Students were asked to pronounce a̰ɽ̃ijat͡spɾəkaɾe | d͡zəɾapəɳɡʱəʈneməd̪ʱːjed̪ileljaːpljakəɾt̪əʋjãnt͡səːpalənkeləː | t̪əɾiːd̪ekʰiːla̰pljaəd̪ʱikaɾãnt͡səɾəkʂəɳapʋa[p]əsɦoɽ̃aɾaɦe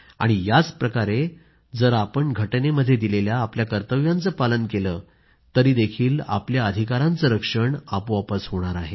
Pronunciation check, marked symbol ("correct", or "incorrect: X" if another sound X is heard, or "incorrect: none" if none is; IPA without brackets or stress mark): correct